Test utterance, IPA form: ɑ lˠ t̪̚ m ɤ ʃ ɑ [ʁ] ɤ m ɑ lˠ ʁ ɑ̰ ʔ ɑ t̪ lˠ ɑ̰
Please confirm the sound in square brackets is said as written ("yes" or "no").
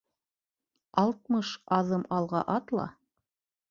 no